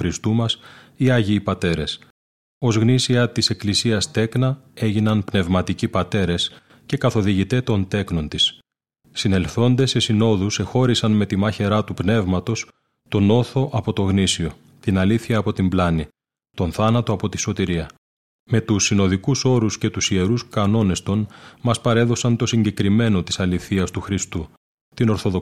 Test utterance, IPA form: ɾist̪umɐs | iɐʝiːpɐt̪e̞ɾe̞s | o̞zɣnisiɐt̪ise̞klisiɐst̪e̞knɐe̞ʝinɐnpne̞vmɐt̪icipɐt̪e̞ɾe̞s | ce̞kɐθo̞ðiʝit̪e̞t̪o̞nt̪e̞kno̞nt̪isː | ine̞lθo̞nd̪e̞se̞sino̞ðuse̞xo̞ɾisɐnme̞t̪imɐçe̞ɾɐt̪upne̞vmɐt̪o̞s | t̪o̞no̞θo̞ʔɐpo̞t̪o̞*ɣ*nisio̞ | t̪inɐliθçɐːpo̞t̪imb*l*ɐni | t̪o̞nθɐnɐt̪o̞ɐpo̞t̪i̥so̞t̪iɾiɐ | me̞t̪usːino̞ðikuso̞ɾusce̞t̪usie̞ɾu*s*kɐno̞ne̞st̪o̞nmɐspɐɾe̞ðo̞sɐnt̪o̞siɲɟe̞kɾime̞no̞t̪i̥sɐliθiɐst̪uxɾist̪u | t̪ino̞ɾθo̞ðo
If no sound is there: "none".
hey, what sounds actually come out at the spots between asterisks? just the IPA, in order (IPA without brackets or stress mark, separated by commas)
ɣ, l, s